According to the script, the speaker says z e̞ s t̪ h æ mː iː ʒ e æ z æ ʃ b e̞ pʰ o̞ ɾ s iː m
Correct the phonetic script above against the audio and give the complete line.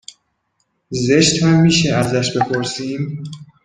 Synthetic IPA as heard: z e̞ ʃ t̪ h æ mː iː ʃ e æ z æ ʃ b e̞ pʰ o̞ ɾ s iː m